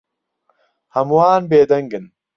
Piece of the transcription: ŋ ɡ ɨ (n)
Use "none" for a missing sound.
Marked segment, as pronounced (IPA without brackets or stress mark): n